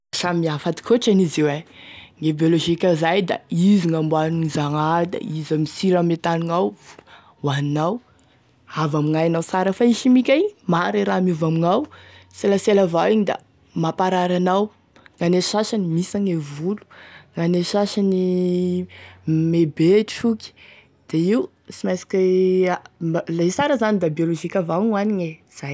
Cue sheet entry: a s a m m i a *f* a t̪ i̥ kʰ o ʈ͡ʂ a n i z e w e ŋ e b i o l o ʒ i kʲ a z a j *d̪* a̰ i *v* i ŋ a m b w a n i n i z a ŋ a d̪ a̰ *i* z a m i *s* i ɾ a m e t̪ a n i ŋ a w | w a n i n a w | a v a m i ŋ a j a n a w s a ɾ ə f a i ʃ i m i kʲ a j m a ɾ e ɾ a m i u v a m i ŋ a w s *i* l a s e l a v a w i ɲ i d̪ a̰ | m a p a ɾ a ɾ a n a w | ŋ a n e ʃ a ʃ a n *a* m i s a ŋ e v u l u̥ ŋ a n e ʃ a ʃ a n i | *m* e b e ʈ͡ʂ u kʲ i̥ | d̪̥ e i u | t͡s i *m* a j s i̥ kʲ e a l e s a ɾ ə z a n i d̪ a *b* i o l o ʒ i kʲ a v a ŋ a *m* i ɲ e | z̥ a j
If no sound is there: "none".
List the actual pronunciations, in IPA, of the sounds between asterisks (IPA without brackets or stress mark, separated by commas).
f, d̪, z, i, s, e, i, m, m, b, n